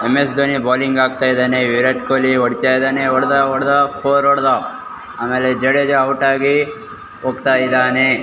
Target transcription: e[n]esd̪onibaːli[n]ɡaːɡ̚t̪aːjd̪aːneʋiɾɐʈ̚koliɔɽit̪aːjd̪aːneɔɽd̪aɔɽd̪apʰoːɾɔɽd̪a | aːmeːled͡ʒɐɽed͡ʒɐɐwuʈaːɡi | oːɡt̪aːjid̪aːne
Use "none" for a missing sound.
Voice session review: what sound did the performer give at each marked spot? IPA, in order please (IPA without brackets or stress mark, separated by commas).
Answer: m, ŋ